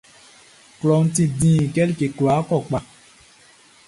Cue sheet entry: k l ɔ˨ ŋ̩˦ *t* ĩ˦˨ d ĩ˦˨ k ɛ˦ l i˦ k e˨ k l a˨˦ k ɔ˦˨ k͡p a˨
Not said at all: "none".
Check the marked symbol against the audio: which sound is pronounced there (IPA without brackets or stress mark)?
t